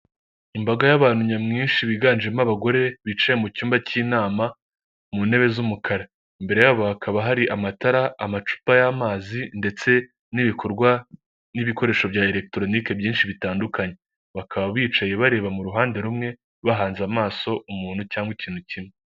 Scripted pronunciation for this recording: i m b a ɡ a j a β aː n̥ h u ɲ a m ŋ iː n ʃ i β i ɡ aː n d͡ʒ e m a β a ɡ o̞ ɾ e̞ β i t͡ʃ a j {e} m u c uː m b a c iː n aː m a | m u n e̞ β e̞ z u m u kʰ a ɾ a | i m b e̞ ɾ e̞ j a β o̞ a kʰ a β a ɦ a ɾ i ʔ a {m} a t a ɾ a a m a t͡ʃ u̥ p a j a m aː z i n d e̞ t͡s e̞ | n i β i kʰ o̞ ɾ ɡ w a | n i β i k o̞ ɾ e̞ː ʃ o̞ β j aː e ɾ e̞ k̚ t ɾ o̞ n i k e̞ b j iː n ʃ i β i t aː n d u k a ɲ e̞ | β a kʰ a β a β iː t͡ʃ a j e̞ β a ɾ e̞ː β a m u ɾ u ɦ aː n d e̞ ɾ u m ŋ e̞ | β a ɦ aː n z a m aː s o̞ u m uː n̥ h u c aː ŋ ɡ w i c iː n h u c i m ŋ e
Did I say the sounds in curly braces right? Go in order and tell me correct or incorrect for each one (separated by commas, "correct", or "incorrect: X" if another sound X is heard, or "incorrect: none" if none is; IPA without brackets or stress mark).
correct, correct